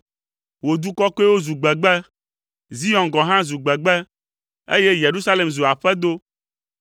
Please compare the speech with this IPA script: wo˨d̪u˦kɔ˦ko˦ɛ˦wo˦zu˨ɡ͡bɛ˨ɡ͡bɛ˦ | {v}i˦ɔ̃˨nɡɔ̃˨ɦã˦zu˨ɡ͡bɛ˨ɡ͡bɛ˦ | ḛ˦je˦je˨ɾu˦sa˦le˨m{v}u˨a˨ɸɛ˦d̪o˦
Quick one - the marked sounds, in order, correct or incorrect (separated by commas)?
incorrect, incorrect